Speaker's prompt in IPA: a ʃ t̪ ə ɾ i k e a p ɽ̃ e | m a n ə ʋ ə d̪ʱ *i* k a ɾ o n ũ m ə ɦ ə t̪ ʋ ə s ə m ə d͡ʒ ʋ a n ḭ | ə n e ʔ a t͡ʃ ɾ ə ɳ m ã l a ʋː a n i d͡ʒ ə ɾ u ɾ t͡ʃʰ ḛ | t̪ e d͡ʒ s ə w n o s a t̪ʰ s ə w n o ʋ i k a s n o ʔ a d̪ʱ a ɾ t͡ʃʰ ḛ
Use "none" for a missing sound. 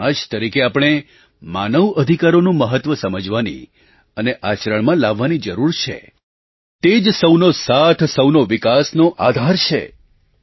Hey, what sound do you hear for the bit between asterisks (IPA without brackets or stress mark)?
i